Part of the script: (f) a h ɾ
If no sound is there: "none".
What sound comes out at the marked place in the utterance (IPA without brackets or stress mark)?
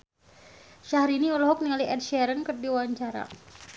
ʃ